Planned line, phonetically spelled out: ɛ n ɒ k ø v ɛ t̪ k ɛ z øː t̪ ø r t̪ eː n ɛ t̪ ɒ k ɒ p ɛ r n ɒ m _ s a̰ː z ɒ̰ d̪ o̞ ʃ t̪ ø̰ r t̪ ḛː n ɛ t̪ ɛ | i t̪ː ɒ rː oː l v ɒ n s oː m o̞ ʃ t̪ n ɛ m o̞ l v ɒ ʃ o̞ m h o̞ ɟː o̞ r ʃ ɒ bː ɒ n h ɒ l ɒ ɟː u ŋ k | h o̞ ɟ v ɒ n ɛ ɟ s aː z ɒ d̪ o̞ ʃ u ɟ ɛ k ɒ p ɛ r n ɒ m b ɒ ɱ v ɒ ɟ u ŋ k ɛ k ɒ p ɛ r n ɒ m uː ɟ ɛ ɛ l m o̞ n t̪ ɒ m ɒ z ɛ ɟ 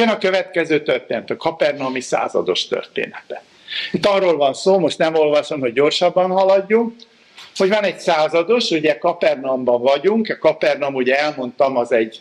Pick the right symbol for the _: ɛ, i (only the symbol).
i